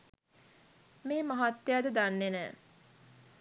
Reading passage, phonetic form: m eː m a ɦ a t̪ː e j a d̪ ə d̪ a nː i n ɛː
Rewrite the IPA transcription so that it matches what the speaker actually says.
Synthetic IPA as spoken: m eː m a ɦ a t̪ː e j a d̪ ə d̪ a nː e n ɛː

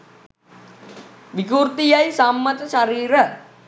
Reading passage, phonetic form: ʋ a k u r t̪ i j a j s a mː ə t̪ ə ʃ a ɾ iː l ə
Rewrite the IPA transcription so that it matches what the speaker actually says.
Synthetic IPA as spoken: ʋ i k u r t̪ i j a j s a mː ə t̪ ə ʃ a ɾ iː ɾ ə

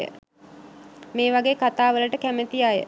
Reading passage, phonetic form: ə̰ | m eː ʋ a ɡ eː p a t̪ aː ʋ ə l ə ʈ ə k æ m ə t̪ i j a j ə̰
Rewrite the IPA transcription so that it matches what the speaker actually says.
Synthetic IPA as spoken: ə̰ | m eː ʋ a ɡ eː k a t̪ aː ʋ ə l ə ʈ ə k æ m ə t̪ i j a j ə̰

